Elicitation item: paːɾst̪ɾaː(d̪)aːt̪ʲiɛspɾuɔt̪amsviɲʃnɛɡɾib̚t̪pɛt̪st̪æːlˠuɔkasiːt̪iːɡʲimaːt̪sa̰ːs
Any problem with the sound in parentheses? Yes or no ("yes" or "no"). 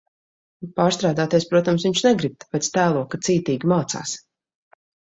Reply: no